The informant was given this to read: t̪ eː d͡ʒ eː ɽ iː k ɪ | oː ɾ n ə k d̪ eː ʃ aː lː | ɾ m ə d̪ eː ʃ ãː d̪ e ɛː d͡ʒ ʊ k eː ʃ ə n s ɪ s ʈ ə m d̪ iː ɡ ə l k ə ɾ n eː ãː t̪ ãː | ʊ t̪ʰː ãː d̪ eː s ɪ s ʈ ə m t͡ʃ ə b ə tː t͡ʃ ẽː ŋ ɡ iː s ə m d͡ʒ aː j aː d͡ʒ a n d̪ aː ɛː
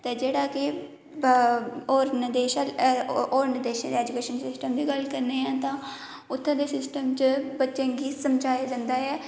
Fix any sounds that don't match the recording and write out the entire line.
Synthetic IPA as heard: t̪ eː d͡ʒ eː ɽ aː k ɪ | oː ɾ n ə d̪ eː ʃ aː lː | ɾ n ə d̪ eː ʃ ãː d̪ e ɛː d͡ʒ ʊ k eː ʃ ə n s ɪ s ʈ ə m d̪ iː ɡ ə l k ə ɾ n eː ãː t̪ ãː | ʊ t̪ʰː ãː d̪ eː s ɪ s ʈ ə m t͡ʃ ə b ə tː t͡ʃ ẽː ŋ ɡ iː s ə m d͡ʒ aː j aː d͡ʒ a n d̪ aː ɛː